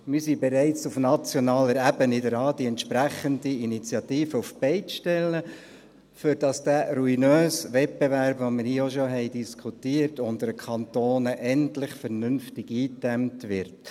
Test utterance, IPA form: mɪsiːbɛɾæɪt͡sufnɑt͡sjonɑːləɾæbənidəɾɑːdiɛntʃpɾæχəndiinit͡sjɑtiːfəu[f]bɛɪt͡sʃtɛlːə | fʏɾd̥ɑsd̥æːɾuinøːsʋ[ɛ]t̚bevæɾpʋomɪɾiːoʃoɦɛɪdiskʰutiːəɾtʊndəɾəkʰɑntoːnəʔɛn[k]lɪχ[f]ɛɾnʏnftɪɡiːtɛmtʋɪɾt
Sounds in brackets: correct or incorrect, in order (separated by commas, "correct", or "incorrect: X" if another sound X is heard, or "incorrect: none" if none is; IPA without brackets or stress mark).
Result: correct, correct, incorrect: t, correct